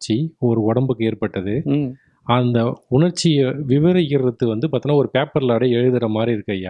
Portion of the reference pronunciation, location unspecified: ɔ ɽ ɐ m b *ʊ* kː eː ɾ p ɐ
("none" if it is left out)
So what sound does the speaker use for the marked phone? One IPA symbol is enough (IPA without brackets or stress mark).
ɯ